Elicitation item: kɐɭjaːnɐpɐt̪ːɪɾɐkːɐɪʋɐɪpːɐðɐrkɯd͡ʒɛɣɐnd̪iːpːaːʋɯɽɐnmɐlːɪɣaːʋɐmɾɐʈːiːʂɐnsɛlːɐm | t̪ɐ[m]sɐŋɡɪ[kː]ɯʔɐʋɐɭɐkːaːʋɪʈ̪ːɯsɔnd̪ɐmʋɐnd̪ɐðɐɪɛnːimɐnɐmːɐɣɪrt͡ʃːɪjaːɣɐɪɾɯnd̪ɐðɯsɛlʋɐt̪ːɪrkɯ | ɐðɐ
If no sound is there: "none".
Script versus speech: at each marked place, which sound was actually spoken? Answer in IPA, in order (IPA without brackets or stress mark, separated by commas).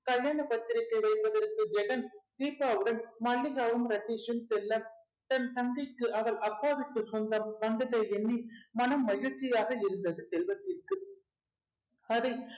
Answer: n, kː